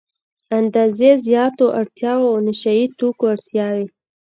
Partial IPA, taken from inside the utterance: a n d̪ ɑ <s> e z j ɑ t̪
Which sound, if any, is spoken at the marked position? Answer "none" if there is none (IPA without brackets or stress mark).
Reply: z